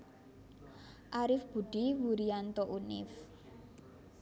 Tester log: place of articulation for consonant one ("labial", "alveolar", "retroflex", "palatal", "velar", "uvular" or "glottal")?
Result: glottal